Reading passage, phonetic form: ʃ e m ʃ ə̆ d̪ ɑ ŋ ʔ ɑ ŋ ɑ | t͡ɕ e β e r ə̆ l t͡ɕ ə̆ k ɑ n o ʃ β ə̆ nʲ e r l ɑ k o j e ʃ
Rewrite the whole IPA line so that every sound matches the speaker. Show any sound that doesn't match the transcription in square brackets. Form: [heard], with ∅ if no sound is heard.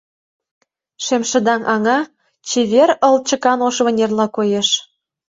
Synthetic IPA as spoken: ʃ e m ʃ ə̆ d̪ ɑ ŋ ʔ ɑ ŋ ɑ | t͡ɕ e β e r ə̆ l t͡ɕ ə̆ k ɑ n o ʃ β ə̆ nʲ e r l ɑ k o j e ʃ